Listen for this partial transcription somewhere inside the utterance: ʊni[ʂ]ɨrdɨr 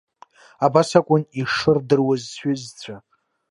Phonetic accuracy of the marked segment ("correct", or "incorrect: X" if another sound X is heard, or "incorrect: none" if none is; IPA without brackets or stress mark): correct